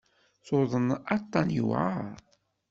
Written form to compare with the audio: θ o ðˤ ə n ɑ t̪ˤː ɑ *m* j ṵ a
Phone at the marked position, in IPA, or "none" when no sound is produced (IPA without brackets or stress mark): n